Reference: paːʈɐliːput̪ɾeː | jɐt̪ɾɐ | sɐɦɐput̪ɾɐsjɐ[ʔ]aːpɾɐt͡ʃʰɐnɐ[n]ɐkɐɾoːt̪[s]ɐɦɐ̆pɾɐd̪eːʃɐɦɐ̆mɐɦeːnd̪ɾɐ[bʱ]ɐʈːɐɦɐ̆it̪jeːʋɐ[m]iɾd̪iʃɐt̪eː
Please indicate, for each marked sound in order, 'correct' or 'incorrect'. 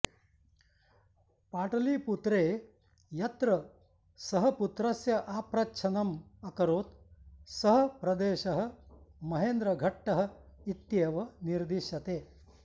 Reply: correct, incorrect, correct, incorrect, incorrect

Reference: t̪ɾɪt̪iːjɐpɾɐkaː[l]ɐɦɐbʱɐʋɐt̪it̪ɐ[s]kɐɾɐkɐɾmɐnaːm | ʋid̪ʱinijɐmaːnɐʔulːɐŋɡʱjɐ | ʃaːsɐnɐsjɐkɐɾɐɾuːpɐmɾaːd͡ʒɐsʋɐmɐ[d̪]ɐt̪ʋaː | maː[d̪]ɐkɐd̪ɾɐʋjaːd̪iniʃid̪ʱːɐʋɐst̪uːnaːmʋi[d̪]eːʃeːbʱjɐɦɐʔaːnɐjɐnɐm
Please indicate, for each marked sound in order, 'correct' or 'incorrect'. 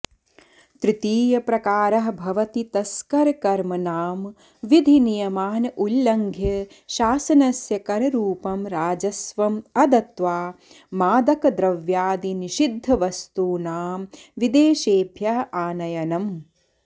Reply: incorrect, correct, correct, correct, correct

